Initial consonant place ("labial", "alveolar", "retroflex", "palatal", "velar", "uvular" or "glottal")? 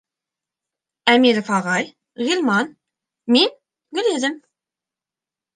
labial